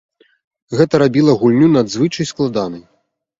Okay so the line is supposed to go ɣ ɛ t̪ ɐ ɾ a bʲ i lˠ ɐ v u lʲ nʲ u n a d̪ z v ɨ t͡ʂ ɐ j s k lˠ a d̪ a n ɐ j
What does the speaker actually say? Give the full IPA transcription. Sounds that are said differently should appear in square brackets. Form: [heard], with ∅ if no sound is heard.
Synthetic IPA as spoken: ɣ ɛ t̪ ɐ ɾ a bʲ i lˠ ɐ [ɣ] u lʲ nʲ u n a d̪ z v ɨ t͡ʂ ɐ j s k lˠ a d̪ a n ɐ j